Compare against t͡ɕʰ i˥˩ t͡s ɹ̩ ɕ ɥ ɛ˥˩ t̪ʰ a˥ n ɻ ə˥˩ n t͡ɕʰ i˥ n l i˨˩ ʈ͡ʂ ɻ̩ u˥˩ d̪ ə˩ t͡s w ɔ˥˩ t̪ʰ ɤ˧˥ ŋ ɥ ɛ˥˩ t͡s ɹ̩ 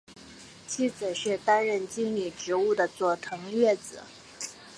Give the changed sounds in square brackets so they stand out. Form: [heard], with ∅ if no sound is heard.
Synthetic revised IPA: t͡ɕʰ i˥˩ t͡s ɹ̩ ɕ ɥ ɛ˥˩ [t̪] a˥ n ɻ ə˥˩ n [t͡ɕ] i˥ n l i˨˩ ʈ͡ʂ ɻ̩ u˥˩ d̪ ə˩ t͡s w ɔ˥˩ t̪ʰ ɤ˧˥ ŋ ɥ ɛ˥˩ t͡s ɹ̩